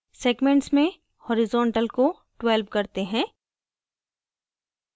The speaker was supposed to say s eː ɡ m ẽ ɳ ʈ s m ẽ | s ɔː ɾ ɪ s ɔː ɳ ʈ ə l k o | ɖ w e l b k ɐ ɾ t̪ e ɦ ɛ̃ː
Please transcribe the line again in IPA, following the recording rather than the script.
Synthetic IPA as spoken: s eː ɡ m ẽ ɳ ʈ s m ẽ | h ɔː ɾ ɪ z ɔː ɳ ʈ ə l k o | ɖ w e l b k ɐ ɾ t̪ e ɦ ɛ̃ː

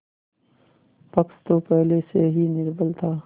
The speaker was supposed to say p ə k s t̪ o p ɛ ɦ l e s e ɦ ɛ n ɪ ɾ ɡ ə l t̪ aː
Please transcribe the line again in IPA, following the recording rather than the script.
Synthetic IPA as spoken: p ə k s t̪ o p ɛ ɦ l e s e ɦ i n ɪ ɾ b ə l t̪ʰ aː

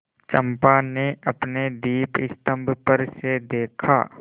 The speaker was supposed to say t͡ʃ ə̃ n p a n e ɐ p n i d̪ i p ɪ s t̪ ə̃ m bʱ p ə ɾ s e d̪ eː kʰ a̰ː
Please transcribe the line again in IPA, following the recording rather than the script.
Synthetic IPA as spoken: t͡ʃ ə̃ m p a n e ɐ p n e d̪ iː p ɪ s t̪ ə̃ m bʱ p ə ɾ s e d̪ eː kʰ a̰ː

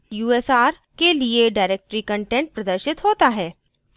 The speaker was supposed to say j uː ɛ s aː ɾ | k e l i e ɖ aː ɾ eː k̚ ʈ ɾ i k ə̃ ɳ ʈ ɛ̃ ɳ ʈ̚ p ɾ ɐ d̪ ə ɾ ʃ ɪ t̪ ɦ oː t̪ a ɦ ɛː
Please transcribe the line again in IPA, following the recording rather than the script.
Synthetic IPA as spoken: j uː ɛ s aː ɾ | k e l i e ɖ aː ɾ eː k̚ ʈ ɾ i k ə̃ ɳ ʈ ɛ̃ ɳ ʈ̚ p ɾ ɐ d̪ ə ɾ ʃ ɪ t̪ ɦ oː t̪ a ɦ ɛː

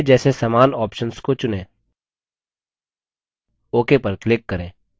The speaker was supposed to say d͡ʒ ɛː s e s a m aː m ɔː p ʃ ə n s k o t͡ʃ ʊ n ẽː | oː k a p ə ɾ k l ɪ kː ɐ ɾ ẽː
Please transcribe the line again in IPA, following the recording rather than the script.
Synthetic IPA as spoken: d͡ʒ ɛː s e s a m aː n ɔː p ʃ ə n s k o t͡ʃ ʊ n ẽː | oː k e p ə ɾ k l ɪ kː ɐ ɾ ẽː

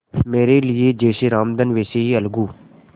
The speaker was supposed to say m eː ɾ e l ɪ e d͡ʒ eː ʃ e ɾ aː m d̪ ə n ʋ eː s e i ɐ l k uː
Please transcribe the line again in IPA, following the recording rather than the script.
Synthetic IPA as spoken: m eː ɾ e l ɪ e d͡ʒ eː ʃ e ɾ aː m d̪ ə n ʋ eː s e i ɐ l ɡ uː

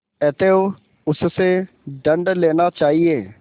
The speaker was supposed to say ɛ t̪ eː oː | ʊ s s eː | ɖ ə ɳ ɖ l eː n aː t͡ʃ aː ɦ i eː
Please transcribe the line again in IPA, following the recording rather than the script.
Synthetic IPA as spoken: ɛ t̪ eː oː | ʊ s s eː | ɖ ə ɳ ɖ l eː n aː t͡ʃ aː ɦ i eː

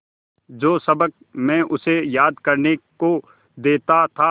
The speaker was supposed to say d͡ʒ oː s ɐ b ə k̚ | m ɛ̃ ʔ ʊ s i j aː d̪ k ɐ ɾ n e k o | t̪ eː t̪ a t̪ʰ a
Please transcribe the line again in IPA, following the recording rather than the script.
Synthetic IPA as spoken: d͡ʒ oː s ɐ b ə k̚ | m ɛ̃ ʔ ʊ s e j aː d̪ k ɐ ɾ n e k o | d̪ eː t̪ a t̪ʰ a

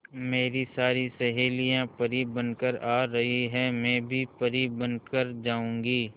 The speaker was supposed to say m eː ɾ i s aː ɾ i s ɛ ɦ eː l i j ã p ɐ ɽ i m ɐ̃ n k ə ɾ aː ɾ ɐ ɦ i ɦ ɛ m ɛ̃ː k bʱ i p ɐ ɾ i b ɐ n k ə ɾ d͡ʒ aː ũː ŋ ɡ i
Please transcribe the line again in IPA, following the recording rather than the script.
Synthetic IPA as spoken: m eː ɾ i s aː ɾ i s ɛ ɦ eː l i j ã p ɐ ɾ i b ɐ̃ n k ə ɾ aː ɾ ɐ ɦ i ɦ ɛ m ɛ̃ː bʱ i p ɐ ɾ i b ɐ n k ə ɾ d͡ʒ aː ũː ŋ ɡ iː

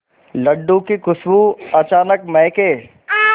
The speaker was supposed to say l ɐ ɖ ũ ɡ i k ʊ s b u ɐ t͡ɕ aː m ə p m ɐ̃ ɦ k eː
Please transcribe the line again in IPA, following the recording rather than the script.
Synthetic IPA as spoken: l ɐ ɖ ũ k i k ʊ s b u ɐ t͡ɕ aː n ə k m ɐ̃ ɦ k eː

